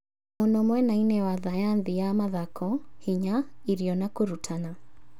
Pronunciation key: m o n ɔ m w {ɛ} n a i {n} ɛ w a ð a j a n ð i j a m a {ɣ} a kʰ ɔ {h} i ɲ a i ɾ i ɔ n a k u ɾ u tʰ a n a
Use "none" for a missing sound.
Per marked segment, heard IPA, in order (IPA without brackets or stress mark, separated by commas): ɛ, n, ð, h